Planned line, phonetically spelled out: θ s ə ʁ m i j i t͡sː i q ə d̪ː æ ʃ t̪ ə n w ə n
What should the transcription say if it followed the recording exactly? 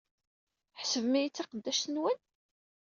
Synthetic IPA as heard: ħ s ə v m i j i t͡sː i q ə d̪ː æ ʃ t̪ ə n w ə n